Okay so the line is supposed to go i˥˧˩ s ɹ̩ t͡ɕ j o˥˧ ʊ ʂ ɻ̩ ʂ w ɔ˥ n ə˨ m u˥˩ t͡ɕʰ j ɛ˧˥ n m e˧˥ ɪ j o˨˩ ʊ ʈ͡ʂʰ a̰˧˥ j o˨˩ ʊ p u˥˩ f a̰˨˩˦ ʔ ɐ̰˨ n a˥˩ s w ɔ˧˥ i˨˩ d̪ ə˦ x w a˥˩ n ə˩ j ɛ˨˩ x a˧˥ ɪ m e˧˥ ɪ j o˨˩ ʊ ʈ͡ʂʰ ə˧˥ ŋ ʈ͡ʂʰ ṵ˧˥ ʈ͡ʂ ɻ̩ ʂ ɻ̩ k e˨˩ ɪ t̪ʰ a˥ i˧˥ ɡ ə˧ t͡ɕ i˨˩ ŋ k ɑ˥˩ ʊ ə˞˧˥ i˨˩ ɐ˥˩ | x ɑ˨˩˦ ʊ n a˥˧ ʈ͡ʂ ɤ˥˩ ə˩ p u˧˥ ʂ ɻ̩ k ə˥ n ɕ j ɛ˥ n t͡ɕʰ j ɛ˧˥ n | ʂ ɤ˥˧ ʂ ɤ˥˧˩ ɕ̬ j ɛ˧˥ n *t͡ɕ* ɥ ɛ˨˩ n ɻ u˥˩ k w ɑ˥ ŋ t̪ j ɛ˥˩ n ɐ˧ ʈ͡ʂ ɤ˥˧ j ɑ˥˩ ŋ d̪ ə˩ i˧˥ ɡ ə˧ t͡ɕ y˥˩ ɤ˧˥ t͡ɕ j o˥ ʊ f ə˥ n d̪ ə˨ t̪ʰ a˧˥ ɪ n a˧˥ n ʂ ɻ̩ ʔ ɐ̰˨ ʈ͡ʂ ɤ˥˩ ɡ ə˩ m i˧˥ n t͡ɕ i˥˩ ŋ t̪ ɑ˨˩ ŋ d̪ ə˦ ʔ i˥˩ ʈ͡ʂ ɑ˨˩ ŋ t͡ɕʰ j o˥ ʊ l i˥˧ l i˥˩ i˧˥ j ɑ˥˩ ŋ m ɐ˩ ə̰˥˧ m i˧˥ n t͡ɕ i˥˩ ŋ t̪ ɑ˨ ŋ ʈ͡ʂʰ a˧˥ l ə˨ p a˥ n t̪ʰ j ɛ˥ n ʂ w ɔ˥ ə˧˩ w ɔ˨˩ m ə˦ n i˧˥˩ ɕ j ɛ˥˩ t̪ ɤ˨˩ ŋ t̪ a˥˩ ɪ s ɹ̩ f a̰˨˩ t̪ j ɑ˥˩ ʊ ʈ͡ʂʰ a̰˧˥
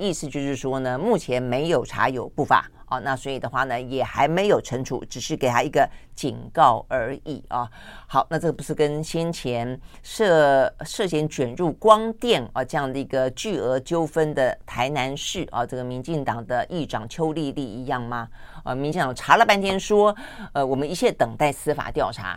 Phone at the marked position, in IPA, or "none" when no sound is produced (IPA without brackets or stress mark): t͡ɕ